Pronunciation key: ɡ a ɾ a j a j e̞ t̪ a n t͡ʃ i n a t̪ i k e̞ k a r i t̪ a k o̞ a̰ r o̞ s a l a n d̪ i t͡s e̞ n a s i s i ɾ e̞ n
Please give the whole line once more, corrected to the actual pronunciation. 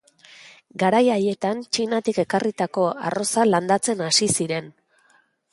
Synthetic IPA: ɡ a ɾ a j a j e̞ t̪ a n t͡ʃ i n a t̪ i k e̞ k a r i t̪ a k o̞ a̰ r o̞ s a l a n d̪ a t͡s e̞ n a s i s i ɾ e̞ n